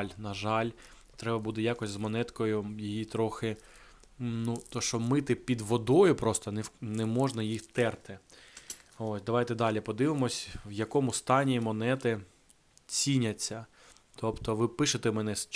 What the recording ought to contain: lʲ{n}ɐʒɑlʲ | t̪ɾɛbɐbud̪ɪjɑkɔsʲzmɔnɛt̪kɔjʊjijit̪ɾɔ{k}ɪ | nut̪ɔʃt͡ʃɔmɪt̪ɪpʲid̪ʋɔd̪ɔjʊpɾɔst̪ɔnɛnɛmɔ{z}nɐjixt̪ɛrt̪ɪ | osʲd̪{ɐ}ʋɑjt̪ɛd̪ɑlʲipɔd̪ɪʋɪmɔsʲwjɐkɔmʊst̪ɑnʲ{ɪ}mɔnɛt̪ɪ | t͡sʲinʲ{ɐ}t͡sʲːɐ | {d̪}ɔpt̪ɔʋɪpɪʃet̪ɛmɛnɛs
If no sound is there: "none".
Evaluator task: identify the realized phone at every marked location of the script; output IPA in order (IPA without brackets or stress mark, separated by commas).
n, x, ʒ, ɐ, i, ɐ, t̪